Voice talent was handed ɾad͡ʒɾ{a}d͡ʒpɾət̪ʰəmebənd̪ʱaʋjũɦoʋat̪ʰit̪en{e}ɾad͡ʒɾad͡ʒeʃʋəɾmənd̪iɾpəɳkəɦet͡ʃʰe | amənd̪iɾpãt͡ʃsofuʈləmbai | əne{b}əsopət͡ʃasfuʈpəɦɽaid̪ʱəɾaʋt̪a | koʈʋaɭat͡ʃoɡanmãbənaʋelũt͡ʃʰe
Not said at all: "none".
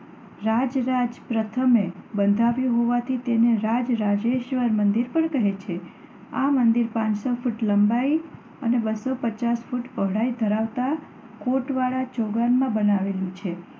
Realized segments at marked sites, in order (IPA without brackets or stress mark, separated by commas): a, e, b